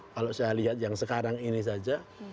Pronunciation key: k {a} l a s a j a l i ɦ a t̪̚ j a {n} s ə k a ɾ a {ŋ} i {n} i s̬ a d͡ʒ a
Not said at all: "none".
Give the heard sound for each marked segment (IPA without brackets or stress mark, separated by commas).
a, ŋ, ŋ, n